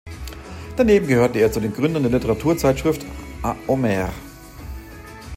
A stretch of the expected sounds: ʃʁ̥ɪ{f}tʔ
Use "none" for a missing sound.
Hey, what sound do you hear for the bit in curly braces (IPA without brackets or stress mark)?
f